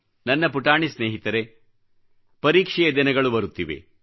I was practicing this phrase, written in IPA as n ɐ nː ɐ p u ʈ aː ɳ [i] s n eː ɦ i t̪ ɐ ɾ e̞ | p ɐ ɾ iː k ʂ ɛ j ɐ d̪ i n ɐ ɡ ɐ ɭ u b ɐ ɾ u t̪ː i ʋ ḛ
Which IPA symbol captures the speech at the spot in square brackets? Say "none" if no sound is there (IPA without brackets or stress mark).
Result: i